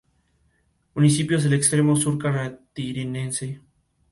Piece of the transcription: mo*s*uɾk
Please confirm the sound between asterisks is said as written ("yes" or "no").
yes